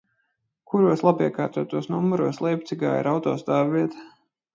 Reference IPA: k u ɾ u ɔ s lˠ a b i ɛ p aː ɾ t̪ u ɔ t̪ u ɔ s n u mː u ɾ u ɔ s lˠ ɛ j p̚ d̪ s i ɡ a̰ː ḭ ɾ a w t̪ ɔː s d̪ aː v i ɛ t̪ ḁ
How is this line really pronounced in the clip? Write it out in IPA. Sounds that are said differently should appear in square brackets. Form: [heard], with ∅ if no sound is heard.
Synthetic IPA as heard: k u ɾ u ɔ s lˠ a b i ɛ [k] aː ɾ t̪ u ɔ t̪ u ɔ s n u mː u ɾ u ɔ s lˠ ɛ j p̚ [t̪] s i ɡ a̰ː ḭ ɾ a w t̪ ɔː s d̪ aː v i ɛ t̪ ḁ